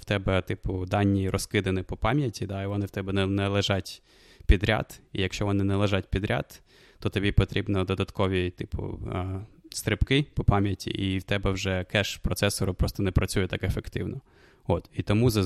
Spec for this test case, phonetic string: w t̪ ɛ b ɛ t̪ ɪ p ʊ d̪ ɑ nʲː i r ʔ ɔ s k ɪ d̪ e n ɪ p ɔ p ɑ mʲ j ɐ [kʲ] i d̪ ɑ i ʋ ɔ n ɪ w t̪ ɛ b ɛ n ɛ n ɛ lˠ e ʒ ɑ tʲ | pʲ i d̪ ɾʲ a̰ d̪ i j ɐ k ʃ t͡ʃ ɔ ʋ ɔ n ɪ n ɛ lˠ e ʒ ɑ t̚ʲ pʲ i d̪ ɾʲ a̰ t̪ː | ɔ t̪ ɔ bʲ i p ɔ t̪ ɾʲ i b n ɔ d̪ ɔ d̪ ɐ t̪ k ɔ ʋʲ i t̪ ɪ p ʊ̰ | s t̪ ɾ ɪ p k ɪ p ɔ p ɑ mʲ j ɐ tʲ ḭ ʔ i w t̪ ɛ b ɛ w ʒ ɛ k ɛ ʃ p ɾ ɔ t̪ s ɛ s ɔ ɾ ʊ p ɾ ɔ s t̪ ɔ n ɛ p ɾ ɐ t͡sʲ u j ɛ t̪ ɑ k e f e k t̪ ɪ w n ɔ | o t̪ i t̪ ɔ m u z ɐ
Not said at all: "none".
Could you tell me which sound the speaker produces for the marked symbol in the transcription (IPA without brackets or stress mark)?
tʲ